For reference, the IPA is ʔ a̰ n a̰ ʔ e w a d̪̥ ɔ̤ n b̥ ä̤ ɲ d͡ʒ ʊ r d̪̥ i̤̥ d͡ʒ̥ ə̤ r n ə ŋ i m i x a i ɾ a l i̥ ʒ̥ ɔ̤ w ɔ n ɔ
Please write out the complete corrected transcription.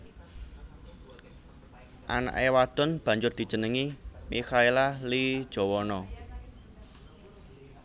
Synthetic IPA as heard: ʔ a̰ n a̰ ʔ e w a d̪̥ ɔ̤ n b̥ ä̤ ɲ d͡ʒ ʊ r d̪̥ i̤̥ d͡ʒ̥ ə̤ n ə ŋ i m i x a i l a l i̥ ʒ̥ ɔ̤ w ɔ n ɔ